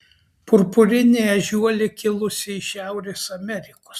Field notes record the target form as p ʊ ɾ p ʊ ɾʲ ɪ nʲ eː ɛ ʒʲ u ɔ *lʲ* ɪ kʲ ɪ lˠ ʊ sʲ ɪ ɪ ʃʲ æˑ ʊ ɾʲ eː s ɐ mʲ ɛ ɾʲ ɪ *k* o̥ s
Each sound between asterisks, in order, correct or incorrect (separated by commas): correct, correct